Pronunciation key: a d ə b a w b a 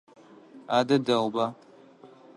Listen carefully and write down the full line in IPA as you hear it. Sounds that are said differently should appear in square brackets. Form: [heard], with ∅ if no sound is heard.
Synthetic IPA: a d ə [d] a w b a

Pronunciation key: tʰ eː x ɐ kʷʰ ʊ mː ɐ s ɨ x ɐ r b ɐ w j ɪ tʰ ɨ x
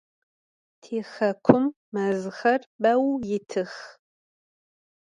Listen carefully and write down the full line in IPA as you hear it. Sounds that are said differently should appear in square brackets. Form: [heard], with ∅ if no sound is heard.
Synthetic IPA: tʰ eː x ɐ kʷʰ ʊ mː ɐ [z] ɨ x ɐ r b ɐ w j ɪ tʰ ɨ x

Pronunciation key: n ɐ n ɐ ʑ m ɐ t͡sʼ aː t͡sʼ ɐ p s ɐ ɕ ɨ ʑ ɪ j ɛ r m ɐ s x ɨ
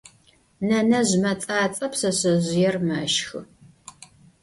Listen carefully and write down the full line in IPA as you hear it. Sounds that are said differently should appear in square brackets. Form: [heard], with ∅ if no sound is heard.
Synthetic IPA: n ɐ n ɐ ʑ m ɐ t͡sʼ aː t͡sʼ ɐ p s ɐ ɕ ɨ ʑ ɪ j ɛ r m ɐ [ʃ] x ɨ

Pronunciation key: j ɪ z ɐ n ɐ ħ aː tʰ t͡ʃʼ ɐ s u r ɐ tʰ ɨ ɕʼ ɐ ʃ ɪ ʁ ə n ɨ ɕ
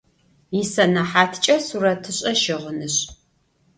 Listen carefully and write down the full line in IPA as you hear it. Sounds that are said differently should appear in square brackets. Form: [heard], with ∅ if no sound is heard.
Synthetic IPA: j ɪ [s] ɐ n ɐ ħ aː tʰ t͡ʃʼ ɐ s u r ɐ tʰ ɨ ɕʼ ɐ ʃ ɪ ʁ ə n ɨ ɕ

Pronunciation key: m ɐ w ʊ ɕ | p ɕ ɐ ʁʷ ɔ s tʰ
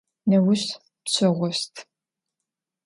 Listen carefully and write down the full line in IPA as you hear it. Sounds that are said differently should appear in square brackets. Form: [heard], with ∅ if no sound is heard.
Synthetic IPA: [n] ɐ w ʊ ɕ | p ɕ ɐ ʁʷ ɔ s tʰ

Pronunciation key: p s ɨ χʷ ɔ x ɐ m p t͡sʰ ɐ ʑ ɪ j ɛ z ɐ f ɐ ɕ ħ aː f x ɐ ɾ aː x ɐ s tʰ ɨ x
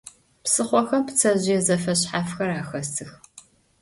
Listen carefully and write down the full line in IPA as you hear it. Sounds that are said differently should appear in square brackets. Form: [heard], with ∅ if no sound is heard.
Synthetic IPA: p s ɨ χʷ ɔ x ɐ m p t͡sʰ ɐ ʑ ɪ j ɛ z ɐ f ɐ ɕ ħ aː f x ɐ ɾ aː x ɐ s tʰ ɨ x

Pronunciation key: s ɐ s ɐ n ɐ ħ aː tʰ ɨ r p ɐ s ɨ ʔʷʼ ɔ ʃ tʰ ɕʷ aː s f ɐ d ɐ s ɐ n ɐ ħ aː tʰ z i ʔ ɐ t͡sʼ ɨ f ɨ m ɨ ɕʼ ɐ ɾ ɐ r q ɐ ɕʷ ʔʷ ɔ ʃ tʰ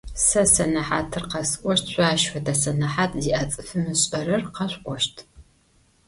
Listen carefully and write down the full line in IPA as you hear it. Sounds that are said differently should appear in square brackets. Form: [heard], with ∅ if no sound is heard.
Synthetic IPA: s ɐ s ɐ n ɐ ħ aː tʰ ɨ r [q] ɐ s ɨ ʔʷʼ ɔ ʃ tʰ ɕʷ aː [ʃ] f ɐ d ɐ s ɐ n ɐ ħ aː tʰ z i ʔ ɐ t͡sʼ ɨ f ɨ m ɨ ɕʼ ɐ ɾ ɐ r q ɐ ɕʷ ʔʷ ɔ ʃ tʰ

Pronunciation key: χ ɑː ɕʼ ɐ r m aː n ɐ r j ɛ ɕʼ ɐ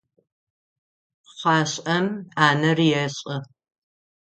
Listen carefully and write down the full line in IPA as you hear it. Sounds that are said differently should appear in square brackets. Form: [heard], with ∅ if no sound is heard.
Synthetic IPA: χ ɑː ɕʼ ɐ [∅] m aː n ɐ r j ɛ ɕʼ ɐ

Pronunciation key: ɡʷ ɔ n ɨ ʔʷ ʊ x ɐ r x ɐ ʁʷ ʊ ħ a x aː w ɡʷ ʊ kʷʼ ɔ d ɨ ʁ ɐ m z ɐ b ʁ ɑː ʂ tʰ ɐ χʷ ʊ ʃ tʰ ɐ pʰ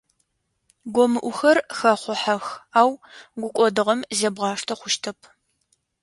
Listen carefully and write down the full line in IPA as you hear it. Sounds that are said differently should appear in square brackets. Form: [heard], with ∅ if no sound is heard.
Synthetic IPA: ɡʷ ɔ [m] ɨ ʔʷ ʊ x ɐ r x ɐ [χʷ] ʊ ħ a x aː w ɡʷ ʊ kʷʼ ɔ d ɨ ʁ ɐ m z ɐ b ʁ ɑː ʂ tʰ ɐ χʷ ʊ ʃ tʰ ɐ pʰ

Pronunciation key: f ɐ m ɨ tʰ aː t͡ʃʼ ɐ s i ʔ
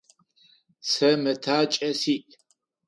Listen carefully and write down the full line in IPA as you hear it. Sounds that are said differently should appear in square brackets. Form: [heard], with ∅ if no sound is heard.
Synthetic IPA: [s] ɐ m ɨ tʰ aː t͡ʃʼ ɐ s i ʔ

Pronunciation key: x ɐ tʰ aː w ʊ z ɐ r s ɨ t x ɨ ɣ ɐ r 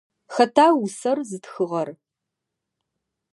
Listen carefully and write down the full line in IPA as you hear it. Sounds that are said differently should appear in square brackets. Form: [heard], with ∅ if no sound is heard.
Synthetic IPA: x ɐ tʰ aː w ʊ [s] ɐ r [z] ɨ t x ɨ [ʁ] ɐ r

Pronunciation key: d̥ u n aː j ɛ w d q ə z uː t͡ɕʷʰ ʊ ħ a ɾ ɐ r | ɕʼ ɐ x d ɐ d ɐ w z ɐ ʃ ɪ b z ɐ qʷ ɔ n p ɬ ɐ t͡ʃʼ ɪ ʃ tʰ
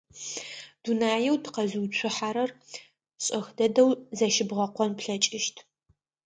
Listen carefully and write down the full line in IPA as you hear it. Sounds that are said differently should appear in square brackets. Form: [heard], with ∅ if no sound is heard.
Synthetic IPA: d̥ u n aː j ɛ w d q [ɐ] z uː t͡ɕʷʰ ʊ ħ a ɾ ɐ r | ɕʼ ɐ x d ɐ d ɐ w z ɐ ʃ ɪ b [ʁ] ɐ qʷ ɔ n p ɬ ɐ t͡ʃʼ ɪ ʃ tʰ

